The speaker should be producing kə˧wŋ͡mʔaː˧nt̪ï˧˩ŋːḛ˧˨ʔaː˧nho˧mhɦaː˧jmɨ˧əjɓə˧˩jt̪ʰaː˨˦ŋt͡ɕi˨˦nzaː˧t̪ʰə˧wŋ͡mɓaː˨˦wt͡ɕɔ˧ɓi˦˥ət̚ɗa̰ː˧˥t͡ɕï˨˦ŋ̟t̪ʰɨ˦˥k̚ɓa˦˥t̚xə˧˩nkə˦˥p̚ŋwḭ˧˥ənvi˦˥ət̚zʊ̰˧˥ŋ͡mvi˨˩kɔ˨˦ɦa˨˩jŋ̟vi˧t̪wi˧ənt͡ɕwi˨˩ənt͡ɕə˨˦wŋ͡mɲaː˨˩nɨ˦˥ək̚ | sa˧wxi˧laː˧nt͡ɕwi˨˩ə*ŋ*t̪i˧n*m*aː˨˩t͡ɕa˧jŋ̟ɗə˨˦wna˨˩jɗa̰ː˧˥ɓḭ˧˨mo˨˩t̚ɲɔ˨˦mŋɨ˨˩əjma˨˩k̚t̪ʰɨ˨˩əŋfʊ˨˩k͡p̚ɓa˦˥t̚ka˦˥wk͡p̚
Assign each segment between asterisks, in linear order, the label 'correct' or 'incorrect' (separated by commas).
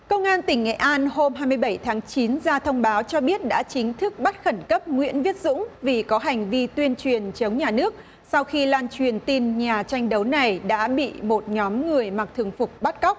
incorrect, incorrect